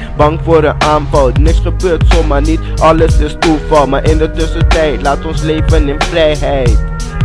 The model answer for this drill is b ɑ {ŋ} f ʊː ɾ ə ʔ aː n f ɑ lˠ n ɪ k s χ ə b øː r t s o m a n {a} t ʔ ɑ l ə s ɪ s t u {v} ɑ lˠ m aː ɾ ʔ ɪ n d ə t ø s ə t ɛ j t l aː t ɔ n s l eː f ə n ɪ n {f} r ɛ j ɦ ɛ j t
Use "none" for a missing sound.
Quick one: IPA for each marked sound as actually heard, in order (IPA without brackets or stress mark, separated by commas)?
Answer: ŋ, i, f, f